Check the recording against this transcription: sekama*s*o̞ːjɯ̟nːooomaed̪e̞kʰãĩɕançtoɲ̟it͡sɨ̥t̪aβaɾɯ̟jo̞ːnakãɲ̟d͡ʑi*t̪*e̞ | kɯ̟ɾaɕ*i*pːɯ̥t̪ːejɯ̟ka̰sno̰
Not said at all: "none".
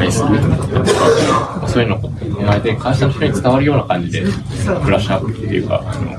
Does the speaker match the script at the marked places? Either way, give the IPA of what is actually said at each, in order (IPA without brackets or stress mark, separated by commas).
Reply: s, d̪, a